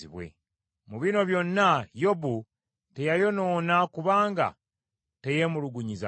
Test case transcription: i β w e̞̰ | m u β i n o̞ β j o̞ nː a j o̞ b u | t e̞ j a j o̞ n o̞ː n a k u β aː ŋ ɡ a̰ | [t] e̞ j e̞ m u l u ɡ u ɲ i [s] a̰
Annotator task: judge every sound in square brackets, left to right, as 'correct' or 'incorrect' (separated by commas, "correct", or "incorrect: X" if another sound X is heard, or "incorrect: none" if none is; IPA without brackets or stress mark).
correct, incorrect: z